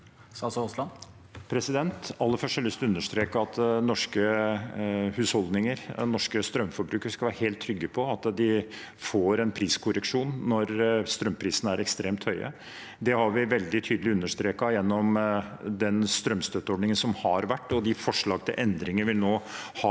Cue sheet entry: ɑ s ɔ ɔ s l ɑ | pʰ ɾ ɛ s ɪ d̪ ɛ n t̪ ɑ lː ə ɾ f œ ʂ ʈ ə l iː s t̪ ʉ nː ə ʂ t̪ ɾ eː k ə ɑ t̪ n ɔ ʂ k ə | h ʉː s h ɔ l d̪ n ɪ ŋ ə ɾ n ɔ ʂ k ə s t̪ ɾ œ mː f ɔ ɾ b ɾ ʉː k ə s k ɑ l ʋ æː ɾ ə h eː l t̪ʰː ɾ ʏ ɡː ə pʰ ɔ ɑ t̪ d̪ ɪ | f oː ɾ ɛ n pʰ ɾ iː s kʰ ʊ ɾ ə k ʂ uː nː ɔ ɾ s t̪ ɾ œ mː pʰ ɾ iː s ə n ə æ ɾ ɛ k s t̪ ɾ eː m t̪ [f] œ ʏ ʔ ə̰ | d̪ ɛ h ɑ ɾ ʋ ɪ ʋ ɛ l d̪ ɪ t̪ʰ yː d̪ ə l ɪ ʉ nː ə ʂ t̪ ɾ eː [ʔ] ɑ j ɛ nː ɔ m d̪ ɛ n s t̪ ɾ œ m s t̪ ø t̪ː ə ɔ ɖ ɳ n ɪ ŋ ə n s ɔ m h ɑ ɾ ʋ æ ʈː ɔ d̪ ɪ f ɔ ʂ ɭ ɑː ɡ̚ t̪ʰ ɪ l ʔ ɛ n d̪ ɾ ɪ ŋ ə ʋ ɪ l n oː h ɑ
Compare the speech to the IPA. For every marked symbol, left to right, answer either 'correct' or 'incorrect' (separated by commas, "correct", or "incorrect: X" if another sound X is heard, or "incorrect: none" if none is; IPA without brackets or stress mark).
incorrect: h, incorrect: k